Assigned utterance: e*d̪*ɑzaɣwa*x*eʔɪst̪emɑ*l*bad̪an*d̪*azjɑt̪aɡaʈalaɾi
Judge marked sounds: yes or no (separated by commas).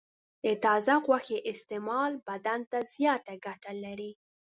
no, yes, yes, no